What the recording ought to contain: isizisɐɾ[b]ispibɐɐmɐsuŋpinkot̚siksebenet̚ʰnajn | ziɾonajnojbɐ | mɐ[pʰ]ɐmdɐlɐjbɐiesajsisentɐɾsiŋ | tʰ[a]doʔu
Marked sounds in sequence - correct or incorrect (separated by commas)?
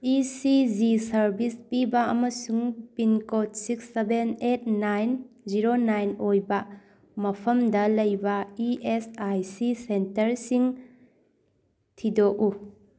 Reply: correct, correct, incorrect